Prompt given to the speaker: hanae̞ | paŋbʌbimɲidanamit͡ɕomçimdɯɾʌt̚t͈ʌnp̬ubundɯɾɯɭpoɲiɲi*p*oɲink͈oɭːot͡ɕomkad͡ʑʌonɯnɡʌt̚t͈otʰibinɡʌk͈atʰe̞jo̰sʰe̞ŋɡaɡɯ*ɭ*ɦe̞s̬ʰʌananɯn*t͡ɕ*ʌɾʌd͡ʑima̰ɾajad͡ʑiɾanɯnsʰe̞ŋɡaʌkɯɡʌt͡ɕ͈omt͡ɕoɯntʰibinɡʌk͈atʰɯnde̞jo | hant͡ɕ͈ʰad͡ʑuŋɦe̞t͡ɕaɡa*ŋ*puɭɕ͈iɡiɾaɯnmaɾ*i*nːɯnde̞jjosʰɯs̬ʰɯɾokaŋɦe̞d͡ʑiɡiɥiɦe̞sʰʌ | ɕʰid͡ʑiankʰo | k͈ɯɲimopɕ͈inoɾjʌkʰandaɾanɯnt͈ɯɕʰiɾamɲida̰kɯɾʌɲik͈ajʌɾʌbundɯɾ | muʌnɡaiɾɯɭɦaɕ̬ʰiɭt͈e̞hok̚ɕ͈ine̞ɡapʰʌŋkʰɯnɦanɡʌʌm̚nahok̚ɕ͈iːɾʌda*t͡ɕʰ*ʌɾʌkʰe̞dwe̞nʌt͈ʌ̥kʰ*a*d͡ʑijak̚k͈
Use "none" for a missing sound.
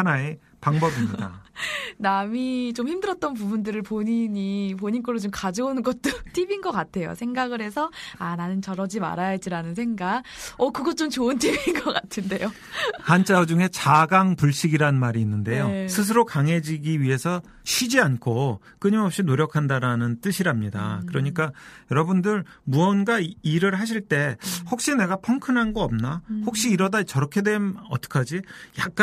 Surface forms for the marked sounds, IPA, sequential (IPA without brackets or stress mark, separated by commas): p, ɾ, t͡ɕ, ŋ, iː, t͡ɕ, a